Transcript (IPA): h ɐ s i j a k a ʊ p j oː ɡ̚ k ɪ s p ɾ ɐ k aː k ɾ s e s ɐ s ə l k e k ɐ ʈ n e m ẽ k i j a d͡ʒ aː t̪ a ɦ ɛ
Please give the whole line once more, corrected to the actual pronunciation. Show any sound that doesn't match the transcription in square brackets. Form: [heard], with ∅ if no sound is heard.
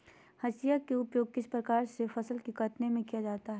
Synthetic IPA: h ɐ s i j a k [e] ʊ p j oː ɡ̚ k ɪ s p ɾ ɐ k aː [∅] ɾ s e [f] ɐ s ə l k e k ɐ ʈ n e m ẽ k i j a d͡ʒ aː t̪ a ɦ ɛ